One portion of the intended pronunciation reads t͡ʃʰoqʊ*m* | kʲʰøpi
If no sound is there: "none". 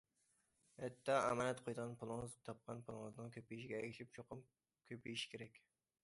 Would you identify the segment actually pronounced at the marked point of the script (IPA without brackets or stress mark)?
m